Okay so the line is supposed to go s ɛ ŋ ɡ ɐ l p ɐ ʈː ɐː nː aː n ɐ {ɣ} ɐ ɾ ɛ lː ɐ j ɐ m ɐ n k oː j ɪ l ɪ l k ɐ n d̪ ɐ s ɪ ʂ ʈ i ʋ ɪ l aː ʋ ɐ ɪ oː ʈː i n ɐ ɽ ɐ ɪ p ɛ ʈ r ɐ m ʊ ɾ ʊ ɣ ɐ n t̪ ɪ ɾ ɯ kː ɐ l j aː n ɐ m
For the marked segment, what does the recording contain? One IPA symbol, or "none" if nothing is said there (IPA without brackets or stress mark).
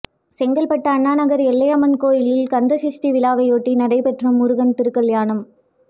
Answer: ɣ